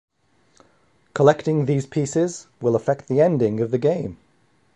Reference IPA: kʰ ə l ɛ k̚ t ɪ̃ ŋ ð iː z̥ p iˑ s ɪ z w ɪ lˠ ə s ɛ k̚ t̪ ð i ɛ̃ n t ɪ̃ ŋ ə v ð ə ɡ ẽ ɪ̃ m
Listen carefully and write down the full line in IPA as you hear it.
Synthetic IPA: kʰ ə l ɛ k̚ t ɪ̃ ŋ ð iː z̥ pʰ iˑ s ɪ z w ɪ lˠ ə f ɛ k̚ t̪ ð i ɛ̃ n d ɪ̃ ŋ ə v ð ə ɡ ẽ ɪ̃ m